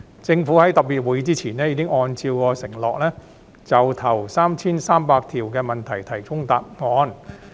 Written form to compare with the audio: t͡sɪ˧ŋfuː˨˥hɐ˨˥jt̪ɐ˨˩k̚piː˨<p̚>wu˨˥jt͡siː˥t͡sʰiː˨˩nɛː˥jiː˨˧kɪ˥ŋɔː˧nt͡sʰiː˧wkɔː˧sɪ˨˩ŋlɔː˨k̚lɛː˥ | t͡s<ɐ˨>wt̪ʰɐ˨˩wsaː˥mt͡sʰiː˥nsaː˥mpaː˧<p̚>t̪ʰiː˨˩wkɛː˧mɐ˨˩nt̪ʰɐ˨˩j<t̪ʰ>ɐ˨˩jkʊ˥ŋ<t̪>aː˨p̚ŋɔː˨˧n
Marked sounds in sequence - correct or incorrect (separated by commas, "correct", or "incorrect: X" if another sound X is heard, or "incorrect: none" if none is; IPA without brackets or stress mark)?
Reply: incorrect: t̚, correct, incorrect: k̚, correct, correct